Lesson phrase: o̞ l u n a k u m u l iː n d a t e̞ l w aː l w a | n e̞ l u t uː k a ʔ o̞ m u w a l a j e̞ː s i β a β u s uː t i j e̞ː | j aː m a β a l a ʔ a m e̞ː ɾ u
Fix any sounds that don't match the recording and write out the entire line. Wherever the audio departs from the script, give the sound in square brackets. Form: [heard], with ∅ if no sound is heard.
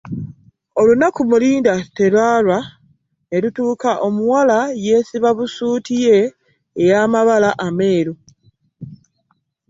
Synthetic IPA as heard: o̞ l u n a k u m u l iː n d a t e̞ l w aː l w a | n e̞ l u t uː k a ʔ o̞ m u w a l a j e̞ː s i β a β u s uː t i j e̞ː | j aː m a β a l a ʔ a m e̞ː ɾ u